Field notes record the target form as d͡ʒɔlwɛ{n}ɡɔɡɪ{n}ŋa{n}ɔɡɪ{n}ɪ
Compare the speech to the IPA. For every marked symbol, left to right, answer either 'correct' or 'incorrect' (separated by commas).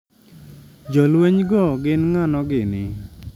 incorrect, correct, correct, correct